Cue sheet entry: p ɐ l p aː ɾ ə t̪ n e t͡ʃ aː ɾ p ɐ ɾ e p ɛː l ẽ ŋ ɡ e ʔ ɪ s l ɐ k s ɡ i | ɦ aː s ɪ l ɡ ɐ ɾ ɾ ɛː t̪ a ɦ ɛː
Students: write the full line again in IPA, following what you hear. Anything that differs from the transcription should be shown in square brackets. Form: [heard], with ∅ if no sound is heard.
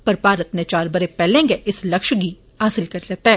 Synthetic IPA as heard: p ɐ [ɾ] p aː ɾ ə t̪ n e t͡ʃ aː ɾ [b] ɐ ɾ e p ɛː l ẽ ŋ ɡ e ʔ ɪ s l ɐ k [ʃ] ɡ i | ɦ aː s ɪ l [k] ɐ ɾ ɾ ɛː t̪ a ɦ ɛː